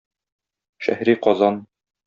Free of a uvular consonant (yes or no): no